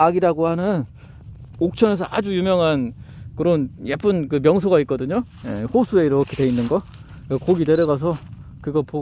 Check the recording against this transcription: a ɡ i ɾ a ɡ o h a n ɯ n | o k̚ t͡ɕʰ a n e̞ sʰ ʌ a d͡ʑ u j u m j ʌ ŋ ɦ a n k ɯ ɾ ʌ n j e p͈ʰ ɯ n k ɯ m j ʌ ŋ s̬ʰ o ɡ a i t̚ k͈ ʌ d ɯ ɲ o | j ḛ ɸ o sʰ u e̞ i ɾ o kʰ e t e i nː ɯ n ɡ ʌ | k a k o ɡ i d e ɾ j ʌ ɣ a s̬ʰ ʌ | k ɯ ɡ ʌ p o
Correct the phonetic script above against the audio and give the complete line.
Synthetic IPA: a ɡ i ɾ a ɡ o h a n ɯ n | o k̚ t͡ɕʰ ʌ n e̞ sʰ ʌ a d͡ʑ u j u m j ʌ ŋ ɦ a n k ɯ ɾ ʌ n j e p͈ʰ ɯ n k ɯ m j ʌ ŋ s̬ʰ o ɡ a i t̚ k͈ ʌ d ɯ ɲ o | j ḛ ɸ o sʰ u e̞ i ɾ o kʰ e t e i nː ɯ n ɡ ʌ | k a k o ɡ i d e ɾ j ʌ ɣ a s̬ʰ ʌ | k ɯ ɡ ʌ p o